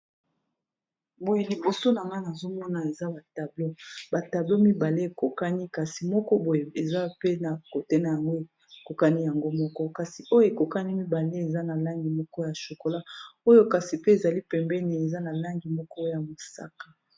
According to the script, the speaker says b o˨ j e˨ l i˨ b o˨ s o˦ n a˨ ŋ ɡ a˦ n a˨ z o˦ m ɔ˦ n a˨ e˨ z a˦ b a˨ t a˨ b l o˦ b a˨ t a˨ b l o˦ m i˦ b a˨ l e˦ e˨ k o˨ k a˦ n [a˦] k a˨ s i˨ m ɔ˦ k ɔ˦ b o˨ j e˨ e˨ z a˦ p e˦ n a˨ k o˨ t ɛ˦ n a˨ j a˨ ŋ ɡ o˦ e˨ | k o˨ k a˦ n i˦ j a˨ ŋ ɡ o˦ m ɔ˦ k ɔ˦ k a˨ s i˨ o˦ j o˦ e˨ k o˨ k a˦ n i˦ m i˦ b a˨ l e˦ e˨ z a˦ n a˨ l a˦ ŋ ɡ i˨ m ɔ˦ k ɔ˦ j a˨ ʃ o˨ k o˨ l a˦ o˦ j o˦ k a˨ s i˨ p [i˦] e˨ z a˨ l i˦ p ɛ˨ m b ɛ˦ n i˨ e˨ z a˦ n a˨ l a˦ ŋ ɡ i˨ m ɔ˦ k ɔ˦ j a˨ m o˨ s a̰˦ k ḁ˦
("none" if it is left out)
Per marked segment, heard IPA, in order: i˦, e˦

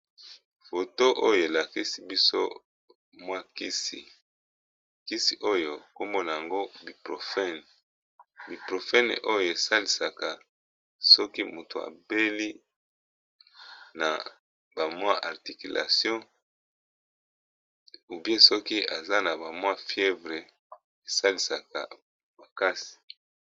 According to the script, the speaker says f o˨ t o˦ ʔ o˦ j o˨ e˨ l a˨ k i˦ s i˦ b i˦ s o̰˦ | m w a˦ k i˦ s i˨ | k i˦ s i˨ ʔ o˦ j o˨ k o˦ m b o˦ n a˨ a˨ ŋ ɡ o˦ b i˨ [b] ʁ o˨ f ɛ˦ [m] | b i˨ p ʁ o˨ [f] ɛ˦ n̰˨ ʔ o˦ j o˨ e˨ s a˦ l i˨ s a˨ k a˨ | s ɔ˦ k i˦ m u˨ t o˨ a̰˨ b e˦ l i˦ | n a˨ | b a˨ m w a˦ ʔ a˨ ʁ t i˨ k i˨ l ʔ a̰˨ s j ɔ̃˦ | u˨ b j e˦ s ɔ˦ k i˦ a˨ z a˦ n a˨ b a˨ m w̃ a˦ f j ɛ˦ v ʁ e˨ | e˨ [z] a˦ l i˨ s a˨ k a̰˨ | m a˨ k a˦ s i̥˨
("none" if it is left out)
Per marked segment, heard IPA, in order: p, n, f, s

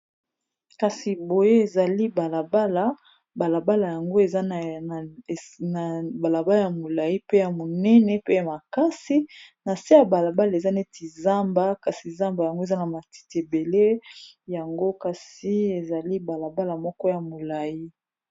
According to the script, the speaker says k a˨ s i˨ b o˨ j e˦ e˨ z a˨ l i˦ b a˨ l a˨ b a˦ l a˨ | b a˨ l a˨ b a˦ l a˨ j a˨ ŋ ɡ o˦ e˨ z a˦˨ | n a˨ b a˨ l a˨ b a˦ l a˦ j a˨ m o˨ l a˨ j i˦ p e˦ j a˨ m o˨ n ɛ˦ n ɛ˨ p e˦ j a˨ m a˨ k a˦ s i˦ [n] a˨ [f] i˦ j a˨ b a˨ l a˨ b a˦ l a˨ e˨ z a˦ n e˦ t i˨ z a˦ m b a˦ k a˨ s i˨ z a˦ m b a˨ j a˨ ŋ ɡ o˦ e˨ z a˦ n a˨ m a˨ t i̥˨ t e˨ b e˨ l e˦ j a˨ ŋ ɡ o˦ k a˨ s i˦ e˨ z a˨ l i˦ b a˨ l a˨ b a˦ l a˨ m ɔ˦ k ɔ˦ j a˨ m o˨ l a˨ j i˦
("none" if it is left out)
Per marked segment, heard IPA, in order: n, s

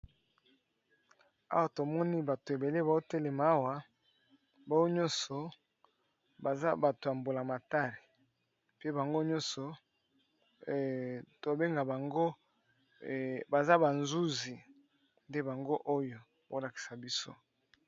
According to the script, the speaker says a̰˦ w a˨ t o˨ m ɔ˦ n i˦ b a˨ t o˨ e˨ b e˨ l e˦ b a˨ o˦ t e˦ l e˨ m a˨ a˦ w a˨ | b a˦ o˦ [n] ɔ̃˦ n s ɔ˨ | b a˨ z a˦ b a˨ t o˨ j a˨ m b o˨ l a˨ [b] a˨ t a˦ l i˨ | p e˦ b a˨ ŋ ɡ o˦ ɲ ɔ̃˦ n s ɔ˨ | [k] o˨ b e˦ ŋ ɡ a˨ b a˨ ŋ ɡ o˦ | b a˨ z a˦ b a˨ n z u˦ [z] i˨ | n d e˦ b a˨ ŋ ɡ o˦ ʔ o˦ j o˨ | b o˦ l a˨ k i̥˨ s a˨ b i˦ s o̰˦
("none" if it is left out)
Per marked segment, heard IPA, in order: ɲ, m, t, z

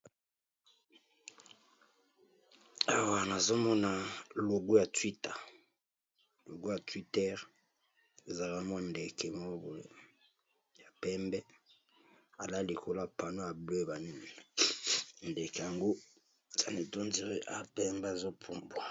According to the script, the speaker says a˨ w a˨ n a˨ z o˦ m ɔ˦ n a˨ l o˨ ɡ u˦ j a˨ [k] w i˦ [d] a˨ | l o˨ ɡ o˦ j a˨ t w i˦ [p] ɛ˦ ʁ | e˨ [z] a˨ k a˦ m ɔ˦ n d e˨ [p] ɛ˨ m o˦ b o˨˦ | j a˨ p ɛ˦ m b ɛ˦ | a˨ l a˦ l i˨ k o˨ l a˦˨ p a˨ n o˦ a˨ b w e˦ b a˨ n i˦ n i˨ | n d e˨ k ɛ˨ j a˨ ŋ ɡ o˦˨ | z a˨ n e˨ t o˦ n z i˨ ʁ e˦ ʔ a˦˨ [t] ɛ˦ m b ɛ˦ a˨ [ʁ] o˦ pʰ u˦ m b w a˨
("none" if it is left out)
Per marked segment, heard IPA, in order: t, t, t, z, k, p, z

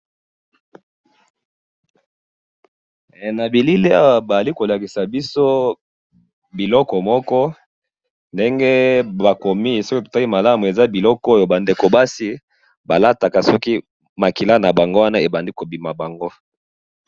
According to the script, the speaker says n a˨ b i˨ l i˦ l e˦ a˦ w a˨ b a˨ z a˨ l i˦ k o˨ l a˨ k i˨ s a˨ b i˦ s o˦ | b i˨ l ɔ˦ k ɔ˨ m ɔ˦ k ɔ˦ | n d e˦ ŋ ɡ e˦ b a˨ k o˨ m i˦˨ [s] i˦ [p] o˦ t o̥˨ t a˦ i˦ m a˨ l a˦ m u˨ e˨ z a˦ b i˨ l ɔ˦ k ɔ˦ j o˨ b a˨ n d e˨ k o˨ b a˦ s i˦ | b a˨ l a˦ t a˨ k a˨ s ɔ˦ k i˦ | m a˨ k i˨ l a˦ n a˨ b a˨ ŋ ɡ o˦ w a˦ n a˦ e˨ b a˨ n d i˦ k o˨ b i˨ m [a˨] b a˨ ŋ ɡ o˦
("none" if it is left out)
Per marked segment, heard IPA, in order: s, k, a˨

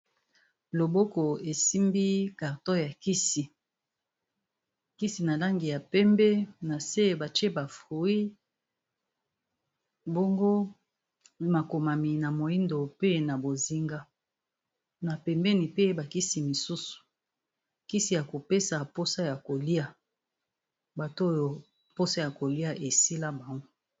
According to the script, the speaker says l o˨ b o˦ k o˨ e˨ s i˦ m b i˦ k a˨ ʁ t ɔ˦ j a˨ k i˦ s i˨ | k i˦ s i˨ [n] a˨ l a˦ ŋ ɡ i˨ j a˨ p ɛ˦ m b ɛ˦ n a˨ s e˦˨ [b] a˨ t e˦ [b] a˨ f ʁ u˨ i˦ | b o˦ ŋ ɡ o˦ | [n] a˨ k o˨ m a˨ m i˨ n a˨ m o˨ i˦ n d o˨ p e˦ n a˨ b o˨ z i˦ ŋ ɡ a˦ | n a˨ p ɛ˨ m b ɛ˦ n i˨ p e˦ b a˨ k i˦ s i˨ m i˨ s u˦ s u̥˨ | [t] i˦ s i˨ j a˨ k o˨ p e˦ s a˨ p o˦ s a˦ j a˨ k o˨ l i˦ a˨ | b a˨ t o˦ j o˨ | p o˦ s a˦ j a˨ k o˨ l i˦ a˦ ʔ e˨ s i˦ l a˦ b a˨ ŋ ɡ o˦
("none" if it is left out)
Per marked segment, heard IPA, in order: n, b, b, m, k

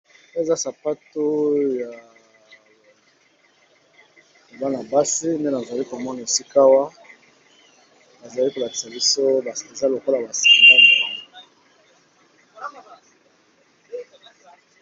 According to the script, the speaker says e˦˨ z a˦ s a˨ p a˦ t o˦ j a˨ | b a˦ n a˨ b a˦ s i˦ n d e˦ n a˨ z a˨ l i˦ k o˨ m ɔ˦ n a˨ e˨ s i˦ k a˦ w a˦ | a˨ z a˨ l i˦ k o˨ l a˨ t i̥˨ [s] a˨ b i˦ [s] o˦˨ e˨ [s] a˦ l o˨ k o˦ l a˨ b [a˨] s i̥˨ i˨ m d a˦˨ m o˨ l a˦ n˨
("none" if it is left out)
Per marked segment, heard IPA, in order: s, s, z, a˨

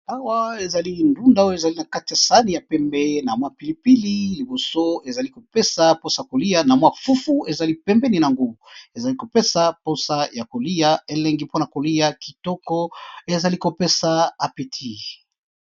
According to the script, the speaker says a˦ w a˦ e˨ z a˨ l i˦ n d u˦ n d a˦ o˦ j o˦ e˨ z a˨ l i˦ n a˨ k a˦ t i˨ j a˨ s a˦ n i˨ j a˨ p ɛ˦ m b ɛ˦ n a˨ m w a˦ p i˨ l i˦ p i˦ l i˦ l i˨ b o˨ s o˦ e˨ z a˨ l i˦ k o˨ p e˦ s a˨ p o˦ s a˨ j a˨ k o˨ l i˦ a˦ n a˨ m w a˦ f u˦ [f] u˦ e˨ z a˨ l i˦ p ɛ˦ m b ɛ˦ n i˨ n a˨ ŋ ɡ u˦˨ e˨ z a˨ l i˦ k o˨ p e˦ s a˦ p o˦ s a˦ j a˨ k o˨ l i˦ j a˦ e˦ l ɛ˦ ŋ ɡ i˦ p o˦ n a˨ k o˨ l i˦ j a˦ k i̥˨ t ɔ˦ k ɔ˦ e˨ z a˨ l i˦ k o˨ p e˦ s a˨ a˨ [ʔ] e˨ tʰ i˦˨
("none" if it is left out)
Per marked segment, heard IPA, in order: f, p

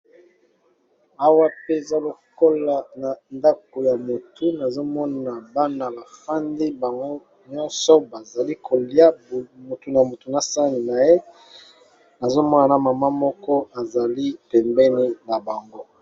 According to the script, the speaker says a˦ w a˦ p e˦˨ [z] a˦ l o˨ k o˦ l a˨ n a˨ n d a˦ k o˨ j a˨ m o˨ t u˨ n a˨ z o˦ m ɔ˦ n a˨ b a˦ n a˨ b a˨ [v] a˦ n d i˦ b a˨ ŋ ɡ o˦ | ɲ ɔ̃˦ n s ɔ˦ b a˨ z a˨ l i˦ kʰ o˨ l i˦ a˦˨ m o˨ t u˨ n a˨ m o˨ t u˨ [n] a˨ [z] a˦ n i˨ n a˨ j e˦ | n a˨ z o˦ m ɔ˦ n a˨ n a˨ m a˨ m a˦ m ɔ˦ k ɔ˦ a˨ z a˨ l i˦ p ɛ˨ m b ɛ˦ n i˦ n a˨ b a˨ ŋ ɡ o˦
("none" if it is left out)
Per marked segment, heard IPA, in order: z, f, n, s

